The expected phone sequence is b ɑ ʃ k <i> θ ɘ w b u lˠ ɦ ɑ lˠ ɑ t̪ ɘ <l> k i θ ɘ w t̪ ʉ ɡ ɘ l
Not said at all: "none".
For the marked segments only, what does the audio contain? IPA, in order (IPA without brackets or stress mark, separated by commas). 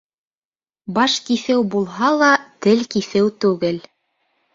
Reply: i, l